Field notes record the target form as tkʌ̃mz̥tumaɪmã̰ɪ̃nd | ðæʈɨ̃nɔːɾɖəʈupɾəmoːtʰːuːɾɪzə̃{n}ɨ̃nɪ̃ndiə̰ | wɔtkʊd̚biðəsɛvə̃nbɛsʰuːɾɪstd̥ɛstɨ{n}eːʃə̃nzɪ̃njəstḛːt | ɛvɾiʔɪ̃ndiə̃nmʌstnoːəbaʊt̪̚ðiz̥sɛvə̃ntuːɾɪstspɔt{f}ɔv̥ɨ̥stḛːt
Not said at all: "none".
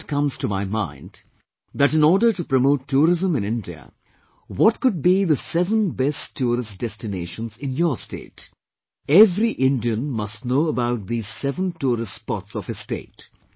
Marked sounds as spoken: m, n, s

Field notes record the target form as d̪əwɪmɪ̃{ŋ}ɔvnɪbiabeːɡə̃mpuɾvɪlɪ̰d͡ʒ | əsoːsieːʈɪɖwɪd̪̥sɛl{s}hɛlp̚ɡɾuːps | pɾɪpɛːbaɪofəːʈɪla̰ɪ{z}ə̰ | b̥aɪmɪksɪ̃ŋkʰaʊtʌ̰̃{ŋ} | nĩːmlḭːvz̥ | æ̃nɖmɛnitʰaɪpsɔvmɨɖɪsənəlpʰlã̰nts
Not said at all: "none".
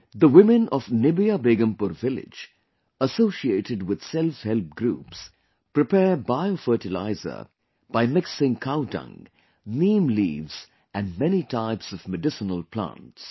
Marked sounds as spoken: n, f, z, ŋ

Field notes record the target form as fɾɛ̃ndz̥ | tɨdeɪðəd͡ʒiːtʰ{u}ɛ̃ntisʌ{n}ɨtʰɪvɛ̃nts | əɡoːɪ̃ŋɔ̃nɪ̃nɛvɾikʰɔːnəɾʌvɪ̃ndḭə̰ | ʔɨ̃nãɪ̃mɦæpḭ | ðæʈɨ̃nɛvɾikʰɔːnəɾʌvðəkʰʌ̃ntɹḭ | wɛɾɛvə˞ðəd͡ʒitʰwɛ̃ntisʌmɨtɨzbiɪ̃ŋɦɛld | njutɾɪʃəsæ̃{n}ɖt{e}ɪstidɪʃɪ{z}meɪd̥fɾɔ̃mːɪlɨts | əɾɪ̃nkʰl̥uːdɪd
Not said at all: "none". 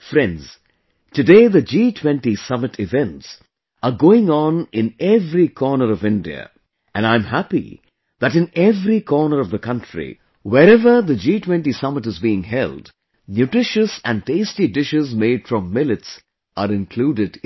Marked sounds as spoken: w, m, n, e, z

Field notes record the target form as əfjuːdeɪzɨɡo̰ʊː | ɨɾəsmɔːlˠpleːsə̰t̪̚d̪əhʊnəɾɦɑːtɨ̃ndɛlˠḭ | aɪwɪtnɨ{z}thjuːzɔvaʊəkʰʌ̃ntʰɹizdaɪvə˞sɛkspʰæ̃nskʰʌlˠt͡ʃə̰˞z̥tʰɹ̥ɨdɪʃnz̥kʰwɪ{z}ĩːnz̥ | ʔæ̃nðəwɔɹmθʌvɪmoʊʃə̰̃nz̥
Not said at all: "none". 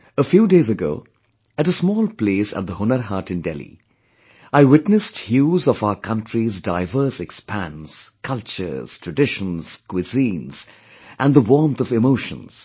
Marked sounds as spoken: s, z

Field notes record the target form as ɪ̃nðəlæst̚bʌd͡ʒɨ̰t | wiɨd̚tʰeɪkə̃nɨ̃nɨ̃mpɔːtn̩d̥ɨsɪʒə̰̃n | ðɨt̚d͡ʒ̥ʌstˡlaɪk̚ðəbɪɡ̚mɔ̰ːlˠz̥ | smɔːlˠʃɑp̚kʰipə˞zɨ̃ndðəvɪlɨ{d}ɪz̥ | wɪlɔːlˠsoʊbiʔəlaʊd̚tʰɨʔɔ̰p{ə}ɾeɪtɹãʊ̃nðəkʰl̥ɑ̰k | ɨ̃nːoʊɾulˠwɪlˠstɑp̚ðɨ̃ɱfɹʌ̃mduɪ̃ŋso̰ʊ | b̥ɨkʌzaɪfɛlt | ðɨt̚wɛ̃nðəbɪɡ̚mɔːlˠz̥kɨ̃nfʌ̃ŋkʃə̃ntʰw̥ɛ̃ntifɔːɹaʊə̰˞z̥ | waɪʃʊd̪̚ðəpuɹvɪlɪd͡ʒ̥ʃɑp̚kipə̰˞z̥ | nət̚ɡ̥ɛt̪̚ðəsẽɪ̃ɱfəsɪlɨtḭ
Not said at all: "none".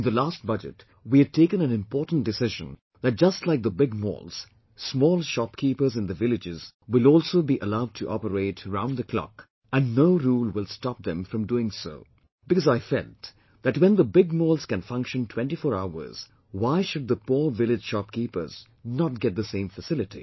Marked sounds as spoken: d͡ʒ, ə

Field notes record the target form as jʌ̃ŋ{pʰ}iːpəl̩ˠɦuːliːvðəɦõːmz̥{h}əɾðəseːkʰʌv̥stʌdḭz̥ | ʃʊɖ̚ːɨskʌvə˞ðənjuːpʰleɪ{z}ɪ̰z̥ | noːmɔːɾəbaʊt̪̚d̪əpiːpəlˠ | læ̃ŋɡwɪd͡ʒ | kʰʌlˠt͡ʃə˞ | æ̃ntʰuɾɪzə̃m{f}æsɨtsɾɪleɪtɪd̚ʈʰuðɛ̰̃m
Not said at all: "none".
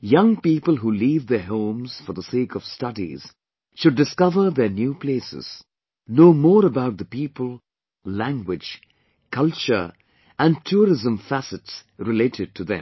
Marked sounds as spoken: p, f, s, f

